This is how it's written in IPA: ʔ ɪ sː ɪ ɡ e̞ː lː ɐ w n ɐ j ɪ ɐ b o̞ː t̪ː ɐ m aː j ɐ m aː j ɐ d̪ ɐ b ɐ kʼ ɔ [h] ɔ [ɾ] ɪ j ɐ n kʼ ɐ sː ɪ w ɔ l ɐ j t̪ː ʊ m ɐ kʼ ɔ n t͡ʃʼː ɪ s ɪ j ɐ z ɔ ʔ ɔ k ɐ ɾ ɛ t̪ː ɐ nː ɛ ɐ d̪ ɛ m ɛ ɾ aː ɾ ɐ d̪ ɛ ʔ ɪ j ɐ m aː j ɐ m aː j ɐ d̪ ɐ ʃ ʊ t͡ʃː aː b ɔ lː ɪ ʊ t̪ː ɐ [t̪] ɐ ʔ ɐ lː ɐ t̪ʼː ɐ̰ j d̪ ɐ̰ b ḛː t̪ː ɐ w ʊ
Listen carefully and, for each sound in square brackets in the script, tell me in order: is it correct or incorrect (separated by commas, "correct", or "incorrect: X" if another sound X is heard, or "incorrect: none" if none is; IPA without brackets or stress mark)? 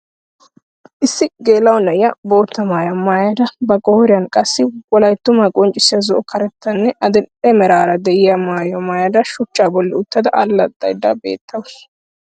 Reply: correct, correct, incorrect: d̪